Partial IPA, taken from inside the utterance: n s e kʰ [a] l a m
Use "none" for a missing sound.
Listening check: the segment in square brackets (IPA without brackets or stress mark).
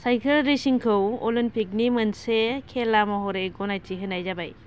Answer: e